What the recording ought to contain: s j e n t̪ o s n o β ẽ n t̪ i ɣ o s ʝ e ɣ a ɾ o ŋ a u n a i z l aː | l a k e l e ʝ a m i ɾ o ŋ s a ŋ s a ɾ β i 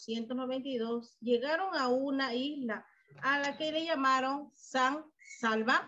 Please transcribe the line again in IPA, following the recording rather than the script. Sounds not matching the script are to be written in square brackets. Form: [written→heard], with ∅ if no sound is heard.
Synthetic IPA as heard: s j e n t̪ o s n o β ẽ n t̪ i [ɣ→ð] o s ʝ e ɣ a ɾ o ŋ a u n a i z l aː | l a k e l e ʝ a m [i→a] ɾ o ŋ s a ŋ s a [ɾ→l] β [i→a]

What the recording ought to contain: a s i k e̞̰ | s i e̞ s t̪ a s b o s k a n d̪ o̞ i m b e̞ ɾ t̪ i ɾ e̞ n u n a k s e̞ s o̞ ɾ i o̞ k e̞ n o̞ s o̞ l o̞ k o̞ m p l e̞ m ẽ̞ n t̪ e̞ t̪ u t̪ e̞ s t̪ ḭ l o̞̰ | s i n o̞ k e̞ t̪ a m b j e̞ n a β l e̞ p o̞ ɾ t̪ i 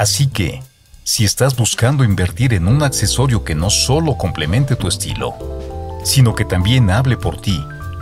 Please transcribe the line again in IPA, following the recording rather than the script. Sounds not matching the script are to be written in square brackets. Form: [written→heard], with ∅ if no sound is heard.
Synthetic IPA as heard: a s i k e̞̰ | s i e̞ s t̪ a [s→z] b [o→u] s k a n d̪ o̞ i m b e̞ ɾ t̪ i ɾ e̞ n u n a k s e̞ s o̞ ɾ [i→j] o̞ k e̞ n o̞ s o̞ l o̞ k o̞ m p l e̞ m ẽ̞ n t̪ e̞ t̪ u [t̪→∅] e̞ s t̪ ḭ l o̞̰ | s i n o̞ k e̞ t̪ a m b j e̞ n a β l e̞ p o̞ ɾ t̪ i

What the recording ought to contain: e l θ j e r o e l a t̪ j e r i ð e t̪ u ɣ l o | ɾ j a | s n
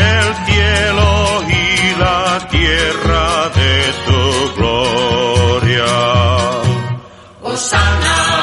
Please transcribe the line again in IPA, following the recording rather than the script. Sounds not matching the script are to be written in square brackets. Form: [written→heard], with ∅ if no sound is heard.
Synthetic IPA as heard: e l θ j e [r→l] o [e→i] l a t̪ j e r [i→a] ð e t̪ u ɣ l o | ɾ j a | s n

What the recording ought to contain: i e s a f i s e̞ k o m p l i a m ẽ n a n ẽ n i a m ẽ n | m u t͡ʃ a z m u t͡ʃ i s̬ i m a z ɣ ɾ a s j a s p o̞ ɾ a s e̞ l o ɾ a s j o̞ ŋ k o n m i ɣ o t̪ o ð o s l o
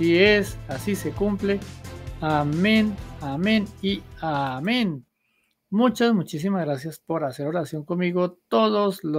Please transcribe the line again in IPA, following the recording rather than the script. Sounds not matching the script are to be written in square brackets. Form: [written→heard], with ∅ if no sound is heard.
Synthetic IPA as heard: i e s a [f→s] i s e̞ k [o→u] m p l [i→e] a m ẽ n a [n→m] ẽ n i a m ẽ n | m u t͡ʃ a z m u t͡ʃ i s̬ i m a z ɣ ɾ a s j a s p o̞ ɾ a s e̞ [l→ɾ] o ɾ a s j o̞ ŋ k o n m i ɣ o t̪ o ð o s l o

